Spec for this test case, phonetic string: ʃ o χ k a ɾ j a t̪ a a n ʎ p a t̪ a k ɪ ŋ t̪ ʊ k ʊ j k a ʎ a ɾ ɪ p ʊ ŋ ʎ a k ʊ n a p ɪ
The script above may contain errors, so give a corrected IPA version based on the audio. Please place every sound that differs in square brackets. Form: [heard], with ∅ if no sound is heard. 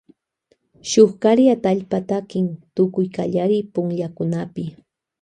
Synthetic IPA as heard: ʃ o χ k a ɾ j a t̪ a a [∅] ʎ p a t̪ a k ɪ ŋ t̪ ʊ k ʊ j k a ʎ a ɾ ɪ p ʊ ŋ ʎ a k ʊ n a p ɪ